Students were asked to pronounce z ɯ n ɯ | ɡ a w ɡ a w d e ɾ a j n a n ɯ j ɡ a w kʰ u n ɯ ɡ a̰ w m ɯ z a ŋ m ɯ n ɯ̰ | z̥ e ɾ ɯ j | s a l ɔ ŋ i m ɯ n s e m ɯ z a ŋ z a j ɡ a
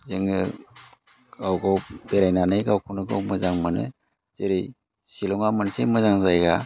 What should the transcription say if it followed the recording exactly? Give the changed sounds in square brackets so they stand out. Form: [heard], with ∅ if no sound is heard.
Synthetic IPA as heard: z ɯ [ŋ] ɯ | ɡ a w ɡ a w [b] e ɾ a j n a n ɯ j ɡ a w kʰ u n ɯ ɡ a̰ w m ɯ z a ŋ m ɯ n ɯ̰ | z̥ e ɾ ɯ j | s [i] l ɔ ŋ [a] m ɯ n s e m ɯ z a ŋ z a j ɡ a